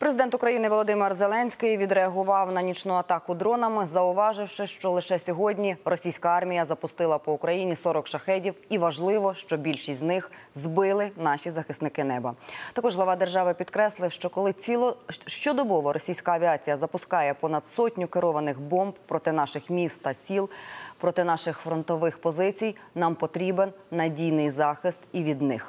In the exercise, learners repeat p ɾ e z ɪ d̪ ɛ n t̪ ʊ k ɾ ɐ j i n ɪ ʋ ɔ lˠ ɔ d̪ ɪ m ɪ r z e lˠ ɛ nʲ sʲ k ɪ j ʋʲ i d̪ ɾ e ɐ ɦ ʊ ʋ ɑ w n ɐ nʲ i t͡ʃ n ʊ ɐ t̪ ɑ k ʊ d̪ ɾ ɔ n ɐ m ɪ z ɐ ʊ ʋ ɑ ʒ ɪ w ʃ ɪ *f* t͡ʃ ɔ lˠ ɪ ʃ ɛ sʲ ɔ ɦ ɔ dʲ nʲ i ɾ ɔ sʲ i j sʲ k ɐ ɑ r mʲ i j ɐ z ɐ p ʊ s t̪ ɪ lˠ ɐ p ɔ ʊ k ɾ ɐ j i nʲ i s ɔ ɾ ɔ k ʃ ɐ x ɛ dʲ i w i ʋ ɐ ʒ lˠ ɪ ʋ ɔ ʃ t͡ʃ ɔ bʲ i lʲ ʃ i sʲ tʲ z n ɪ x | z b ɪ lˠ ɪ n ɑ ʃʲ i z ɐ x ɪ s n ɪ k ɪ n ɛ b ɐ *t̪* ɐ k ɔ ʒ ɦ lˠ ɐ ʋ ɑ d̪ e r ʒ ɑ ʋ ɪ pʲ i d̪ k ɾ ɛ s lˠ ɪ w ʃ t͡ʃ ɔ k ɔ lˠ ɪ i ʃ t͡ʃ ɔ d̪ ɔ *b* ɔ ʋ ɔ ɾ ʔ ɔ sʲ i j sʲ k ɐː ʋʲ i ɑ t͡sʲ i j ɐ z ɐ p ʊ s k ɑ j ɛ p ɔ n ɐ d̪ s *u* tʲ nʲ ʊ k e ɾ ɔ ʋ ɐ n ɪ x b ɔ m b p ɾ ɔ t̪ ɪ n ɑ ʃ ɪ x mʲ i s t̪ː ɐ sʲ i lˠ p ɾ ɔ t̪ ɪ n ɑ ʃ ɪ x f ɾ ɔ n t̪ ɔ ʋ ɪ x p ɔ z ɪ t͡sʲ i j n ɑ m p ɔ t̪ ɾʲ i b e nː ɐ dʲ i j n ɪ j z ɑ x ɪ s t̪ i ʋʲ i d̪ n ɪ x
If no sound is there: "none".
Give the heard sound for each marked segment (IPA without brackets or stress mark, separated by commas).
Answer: ʃ, t̪, b, ɔ